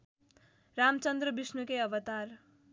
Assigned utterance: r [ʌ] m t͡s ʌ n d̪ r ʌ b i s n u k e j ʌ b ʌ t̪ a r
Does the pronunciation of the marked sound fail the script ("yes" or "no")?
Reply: yes